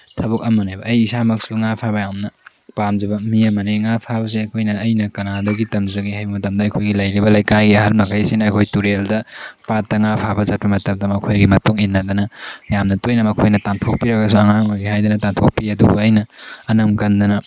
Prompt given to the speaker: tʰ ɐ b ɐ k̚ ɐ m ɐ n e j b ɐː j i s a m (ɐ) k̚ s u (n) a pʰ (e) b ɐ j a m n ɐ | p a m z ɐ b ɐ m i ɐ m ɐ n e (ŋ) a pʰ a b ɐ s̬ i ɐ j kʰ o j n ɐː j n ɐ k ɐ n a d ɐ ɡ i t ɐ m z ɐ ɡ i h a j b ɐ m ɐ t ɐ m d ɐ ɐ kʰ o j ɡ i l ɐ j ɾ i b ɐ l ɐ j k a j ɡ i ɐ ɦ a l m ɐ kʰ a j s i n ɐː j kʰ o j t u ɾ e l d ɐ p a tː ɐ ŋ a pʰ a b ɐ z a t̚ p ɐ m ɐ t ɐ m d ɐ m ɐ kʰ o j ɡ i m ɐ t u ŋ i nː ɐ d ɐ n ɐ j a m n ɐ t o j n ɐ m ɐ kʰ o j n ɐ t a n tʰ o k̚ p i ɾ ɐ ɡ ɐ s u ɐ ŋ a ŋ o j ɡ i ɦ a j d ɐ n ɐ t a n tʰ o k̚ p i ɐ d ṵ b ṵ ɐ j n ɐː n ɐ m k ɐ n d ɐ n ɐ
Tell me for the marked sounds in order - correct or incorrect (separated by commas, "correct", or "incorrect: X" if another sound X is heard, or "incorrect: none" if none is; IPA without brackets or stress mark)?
correct, incorrect: ŋ, incorrect: a, correct